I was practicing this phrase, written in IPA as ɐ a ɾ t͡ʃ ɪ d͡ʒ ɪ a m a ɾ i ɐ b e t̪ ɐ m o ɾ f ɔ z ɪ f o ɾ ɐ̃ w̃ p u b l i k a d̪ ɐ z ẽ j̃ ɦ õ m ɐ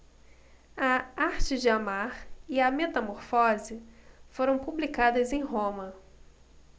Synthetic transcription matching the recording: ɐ a ɾ t͡ʃ ɪ d͡ʒ ɪ a m a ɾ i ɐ m e t̪ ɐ m o ɾ f ɔ z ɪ f o ɾ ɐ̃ w̃ p u b l i k a d̪ ɐ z ẽ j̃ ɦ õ m ɐ